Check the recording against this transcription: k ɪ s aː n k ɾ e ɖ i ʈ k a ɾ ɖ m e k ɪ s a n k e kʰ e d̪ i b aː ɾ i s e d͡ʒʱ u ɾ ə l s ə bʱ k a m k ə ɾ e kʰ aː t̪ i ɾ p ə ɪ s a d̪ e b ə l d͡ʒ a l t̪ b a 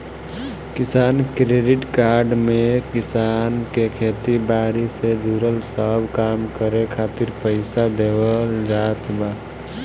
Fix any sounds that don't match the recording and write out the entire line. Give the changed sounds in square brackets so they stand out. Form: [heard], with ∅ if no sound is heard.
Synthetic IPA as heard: k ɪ s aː n k ɾ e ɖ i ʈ k a ɾ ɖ m e k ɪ s a n k e kʰ e [t̪] i b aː ɾ i s e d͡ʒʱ u ɾ ə l s ə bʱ k a m k ə ɾ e kʰ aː t̪ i ɾ p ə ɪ s a d̪ e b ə l d͡ʒ a [∅] t̪ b a

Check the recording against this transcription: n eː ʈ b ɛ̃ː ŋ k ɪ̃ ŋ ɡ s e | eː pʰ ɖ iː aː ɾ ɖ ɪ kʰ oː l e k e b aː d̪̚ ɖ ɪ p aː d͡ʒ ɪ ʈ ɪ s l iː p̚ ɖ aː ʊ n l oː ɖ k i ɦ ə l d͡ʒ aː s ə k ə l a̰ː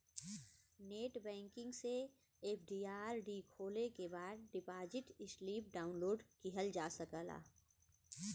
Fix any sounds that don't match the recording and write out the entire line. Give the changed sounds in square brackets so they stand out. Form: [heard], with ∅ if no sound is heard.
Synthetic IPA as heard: n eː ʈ b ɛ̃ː ŋ k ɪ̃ ŋ ɡ s e | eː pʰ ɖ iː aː ɾ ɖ [i] kʰ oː l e k e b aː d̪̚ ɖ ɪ p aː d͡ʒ ɪ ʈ ɪ s l iː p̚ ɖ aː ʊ n l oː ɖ k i ɦ ə l d͡ʒ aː s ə k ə l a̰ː

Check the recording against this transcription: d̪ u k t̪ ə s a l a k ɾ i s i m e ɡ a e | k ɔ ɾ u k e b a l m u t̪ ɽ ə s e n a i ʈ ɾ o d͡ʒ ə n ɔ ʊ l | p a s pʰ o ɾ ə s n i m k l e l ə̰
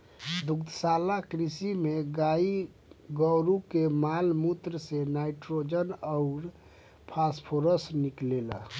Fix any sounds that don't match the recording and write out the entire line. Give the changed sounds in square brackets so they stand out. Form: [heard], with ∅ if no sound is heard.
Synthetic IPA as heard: d̪ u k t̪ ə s a l a k ɾ i s i m e ɡ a [i] | [ɡ] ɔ ɾ u k e [m] a l m u t̪ [ɾ] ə s e n a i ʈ ɾ o d͡ʒ ə n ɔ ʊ [ɾ] | [pʰ] a s pʰ o ɾ ə s n i [∅] k l e l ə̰

